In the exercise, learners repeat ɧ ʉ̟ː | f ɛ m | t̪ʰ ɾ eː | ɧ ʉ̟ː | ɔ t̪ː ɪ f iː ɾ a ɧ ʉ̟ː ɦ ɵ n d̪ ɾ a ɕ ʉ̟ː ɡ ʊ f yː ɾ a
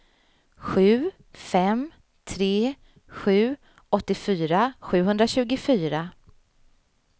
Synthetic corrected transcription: ɧ ʉ̟ː | f ɛ m | t̪ʰ ɾ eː | ɧ ʉ̟ː | ɔ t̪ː ɪ f yː ɾ a ɧ ʉ̟ː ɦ ɵ n d̪ ɾ a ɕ ʉ̟ː ɡ ʊ f yː ɾ a